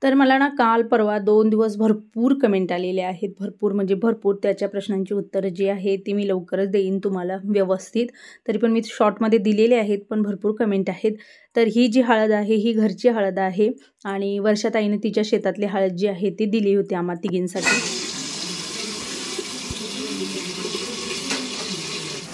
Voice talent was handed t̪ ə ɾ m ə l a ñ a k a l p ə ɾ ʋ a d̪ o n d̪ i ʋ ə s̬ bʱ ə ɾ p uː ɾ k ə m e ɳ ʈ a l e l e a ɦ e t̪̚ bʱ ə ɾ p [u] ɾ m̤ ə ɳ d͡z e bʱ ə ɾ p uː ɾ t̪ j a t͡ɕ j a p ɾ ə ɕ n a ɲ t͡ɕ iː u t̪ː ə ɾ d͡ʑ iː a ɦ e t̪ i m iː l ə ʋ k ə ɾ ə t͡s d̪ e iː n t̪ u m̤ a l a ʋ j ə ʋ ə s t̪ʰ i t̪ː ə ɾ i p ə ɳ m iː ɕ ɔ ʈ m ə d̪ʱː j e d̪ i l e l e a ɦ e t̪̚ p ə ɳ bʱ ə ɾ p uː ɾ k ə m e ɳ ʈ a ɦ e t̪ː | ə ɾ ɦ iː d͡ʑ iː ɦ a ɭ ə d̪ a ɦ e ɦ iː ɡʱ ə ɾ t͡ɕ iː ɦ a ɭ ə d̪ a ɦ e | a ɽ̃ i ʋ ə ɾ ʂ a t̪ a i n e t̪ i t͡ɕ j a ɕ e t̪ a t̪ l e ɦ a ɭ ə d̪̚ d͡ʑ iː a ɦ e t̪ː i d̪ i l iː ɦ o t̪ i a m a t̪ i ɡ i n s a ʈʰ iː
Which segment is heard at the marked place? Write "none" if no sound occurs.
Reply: uː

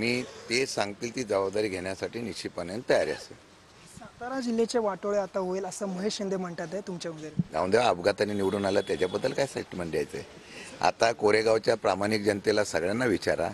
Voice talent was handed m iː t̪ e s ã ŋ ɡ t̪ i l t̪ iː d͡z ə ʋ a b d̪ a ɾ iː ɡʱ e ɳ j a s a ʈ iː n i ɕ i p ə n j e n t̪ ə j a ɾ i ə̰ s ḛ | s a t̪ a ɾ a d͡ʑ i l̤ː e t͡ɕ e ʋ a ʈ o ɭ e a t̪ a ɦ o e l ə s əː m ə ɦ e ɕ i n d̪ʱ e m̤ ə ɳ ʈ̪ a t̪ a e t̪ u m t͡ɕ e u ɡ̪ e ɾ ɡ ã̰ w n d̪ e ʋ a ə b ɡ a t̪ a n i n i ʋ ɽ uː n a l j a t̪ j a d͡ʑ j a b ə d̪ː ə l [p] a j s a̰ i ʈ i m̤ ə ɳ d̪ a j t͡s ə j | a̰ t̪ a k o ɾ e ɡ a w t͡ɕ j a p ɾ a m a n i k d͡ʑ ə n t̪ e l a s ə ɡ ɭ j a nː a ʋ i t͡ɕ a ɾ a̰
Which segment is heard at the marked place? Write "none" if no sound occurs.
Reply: k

